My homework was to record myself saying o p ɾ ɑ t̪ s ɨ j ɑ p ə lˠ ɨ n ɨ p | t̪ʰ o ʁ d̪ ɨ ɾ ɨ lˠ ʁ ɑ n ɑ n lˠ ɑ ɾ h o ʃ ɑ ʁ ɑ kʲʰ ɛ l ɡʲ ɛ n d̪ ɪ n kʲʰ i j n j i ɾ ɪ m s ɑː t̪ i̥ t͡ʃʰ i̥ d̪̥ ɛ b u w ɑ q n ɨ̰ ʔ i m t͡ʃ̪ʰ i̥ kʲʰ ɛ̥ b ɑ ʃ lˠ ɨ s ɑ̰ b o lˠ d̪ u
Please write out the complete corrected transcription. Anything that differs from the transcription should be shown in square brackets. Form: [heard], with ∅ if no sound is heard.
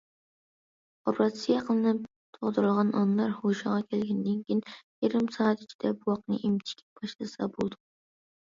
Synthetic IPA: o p ɾ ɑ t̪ s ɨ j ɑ [q] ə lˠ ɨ n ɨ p | t̪ʰ o ʁ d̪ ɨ ɾ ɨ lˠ ʁ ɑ n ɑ n lˠ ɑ ɾ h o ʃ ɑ ʁ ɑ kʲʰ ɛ l ɡʲ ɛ n d̪ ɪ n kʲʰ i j n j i ɾ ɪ m s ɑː t̪ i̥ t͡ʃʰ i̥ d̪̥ ɛ b u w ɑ q n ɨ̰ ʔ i m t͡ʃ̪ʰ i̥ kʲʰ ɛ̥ b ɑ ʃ lˠ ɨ s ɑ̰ b o lˠ d̪ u